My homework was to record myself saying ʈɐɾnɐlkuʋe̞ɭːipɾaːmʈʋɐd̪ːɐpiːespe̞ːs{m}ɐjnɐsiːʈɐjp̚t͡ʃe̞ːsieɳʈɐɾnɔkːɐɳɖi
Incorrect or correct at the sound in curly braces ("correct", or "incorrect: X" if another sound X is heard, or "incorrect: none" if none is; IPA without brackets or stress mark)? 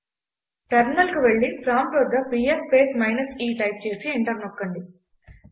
correct